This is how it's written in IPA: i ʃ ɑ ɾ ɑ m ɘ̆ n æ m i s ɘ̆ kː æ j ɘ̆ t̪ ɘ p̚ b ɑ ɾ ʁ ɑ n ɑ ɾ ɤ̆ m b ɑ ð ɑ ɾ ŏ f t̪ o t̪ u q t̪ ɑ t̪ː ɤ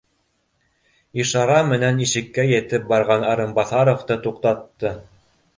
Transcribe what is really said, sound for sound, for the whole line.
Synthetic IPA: i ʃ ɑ ɾ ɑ m ɘ̆ n æ n i ʃ ɘ̆ kː æ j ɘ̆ t̪ ɘ p̚ b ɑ ɾ ʁ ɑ n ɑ ɾ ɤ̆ m b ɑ θ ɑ ɾ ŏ f t̪ ɤ t̪ u q t̪ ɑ t̪ː ɤ